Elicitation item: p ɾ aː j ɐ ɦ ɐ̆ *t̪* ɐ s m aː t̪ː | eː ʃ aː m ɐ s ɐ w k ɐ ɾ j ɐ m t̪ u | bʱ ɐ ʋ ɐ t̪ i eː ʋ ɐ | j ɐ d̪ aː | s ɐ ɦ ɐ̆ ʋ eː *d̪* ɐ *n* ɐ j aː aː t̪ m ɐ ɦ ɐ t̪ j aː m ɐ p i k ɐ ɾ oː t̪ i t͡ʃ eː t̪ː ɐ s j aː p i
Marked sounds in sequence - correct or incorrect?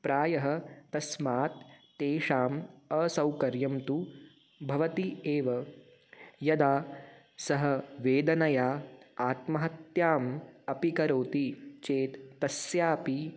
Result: correct, correct, correct

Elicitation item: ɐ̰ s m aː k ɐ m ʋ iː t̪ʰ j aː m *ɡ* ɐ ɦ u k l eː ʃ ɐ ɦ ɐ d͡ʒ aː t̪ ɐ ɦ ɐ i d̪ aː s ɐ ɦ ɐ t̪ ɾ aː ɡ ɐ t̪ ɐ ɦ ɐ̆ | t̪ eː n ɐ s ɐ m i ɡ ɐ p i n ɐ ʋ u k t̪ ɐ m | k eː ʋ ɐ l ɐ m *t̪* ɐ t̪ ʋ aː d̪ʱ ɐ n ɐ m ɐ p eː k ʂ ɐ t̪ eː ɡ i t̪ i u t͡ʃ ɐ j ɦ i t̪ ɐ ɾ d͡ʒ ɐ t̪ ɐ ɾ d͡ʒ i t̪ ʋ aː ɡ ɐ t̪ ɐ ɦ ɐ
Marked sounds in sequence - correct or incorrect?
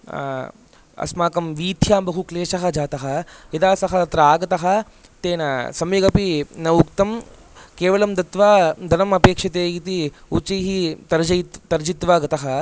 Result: incorrect, incorrect

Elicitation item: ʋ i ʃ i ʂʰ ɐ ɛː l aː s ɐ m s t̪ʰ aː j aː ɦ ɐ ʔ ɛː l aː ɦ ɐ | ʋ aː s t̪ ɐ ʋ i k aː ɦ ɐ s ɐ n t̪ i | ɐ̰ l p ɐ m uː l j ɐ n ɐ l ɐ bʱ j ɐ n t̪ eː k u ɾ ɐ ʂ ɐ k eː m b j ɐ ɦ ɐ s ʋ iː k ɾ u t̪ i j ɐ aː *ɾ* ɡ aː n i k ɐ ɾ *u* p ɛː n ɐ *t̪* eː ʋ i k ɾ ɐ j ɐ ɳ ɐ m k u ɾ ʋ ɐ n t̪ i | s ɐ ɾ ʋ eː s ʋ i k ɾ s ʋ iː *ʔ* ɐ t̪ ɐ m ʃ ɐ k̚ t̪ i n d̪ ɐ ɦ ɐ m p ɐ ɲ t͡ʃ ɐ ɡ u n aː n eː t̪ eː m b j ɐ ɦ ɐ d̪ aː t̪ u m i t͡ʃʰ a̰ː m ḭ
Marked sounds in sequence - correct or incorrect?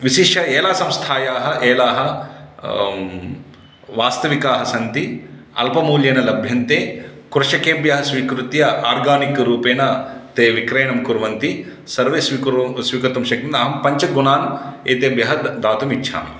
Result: correct, incorrect, correct, incorrect

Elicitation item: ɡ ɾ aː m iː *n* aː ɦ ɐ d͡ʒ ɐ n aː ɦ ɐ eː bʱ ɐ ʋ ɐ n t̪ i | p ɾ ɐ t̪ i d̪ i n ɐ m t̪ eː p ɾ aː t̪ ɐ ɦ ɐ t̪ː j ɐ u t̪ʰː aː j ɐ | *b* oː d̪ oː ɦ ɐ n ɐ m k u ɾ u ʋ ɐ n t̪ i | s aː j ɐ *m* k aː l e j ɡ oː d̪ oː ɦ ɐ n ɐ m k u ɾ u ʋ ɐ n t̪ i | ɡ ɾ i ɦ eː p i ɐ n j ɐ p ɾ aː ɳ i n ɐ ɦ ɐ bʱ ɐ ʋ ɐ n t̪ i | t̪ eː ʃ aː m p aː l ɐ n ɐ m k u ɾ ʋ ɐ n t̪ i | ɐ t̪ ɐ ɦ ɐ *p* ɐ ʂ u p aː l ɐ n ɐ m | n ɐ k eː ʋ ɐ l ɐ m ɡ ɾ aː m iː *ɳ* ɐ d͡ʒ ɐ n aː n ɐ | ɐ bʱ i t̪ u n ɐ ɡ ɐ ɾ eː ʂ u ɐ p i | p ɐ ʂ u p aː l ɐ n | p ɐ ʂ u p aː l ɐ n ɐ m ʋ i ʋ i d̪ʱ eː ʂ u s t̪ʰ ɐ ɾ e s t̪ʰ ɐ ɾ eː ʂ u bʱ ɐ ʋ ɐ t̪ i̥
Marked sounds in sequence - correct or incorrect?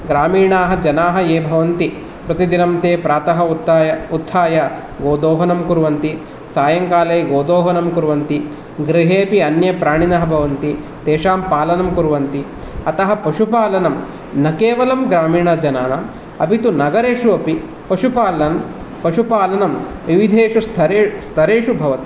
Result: incorrect, incorrect, incorrect, correct, correct

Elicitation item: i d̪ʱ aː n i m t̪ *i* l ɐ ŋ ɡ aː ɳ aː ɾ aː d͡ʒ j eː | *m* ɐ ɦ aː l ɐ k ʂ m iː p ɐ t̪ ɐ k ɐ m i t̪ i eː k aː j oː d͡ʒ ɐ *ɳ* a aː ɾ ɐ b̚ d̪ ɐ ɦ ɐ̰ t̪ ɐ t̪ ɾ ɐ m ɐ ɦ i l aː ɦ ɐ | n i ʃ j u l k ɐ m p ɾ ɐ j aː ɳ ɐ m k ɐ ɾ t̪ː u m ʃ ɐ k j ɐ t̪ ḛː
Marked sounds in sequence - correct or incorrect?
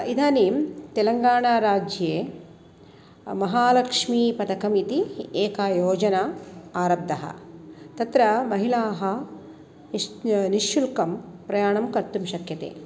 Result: incorrect, correct, incorrect

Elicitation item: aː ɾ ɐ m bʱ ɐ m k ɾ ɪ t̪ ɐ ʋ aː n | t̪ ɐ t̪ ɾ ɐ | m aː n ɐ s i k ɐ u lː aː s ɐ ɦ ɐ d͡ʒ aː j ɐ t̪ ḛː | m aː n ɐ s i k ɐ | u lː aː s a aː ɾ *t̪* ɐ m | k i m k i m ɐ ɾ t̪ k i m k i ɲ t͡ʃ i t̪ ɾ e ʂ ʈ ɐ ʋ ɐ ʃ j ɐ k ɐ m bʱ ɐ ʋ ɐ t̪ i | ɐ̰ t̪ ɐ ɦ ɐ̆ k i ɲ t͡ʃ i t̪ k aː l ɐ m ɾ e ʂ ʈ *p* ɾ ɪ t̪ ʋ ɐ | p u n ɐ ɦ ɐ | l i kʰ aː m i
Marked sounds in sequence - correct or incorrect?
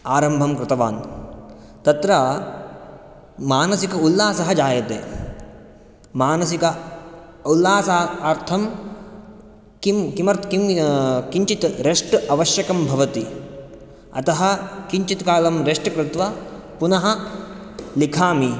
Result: incorrect, incorrect

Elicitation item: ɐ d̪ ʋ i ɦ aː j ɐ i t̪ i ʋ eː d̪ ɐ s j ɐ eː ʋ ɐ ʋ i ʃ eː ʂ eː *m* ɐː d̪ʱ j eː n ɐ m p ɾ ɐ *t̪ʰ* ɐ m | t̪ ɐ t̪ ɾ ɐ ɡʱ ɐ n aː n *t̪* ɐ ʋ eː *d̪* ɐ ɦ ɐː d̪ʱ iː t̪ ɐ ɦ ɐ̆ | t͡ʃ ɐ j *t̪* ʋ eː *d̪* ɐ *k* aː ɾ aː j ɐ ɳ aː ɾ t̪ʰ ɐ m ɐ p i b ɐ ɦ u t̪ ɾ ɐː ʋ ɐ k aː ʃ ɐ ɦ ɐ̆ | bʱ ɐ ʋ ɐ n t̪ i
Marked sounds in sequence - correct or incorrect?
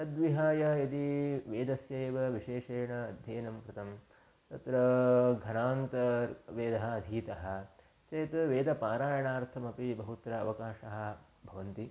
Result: incorrect, incorrect, correct, correct, correct, correct, incorrect

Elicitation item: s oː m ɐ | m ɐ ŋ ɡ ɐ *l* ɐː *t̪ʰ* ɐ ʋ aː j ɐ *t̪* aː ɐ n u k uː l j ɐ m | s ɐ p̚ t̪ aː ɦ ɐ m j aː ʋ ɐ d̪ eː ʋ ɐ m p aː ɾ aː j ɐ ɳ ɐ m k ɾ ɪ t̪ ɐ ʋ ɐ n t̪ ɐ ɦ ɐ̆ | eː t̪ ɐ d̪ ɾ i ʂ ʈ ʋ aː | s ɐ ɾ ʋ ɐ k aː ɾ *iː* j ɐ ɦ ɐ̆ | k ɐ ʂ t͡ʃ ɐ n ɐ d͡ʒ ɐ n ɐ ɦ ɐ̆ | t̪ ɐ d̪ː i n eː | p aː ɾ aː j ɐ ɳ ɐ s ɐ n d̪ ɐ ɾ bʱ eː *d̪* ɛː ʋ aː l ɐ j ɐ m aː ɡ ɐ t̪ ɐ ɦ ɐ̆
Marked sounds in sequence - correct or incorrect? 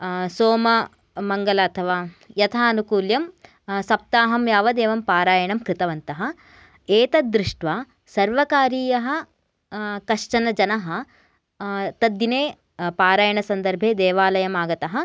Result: correct, correct, incorrect, correct, correct

